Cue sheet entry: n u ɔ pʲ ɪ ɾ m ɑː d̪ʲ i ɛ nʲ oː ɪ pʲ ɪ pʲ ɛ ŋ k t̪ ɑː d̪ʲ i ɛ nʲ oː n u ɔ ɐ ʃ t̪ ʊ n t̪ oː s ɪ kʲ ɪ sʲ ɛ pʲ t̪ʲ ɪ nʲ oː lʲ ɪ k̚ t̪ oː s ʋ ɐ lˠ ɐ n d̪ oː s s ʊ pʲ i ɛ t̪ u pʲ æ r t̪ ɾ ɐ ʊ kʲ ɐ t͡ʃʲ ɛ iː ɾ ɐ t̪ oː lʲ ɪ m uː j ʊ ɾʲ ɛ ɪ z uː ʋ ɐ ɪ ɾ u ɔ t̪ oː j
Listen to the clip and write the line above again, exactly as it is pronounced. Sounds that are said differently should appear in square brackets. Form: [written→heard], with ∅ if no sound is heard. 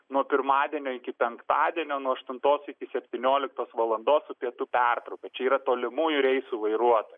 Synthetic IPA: n u ɔ pʲ ɪ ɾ m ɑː d̪ʲ i ɛ nʲ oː ɪ [pʲ→kʲ] ɪ pʲ ɛ ŋ k t̪ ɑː d̪ʲ i ɛ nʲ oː n u ɔ ɐ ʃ t̪ ʊ n t̪ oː s ɪ kʲ ɪ sʲ ɛ pʲ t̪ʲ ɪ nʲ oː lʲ ɪ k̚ t̪ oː s ʋ ɐ lˠ ɐ n d̪ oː s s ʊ pʲ i ɛ t̪ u pʲ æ r t̪ ɾ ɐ ʊ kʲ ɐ t͡ʃʲ ɛ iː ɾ ɐ t̪ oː lʲ ɪ m uː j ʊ ɾʲ ɛ ɪ [z→s] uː ʋ ɐ ɪ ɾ u ɔ t̪ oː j